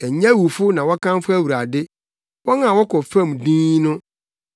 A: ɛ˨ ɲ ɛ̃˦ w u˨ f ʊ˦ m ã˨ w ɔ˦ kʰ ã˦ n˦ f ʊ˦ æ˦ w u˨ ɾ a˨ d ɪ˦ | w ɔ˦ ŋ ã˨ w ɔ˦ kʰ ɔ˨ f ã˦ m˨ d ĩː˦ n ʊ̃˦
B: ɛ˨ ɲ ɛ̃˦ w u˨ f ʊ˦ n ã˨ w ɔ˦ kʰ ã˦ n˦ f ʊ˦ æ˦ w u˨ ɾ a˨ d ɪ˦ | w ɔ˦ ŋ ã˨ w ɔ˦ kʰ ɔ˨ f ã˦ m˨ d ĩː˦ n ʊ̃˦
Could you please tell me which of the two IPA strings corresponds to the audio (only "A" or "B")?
B